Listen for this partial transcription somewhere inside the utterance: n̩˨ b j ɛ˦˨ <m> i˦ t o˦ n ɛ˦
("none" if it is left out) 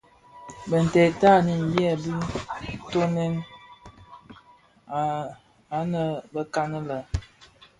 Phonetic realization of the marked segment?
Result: b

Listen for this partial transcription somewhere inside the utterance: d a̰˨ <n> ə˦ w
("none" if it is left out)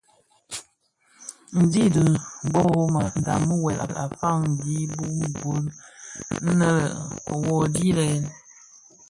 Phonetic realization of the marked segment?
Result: m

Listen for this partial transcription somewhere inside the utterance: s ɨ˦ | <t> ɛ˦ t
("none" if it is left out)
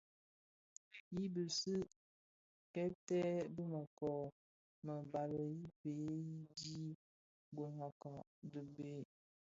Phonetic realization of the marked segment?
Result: k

